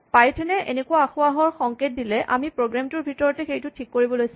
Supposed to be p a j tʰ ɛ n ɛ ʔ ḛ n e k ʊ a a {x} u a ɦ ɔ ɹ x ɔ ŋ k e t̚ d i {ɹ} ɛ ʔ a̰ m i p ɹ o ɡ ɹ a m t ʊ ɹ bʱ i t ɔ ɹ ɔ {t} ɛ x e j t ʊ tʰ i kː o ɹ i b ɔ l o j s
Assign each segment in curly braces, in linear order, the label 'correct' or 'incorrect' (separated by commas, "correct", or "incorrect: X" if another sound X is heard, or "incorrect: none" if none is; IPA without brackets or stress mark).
correct, incorrect: l, correct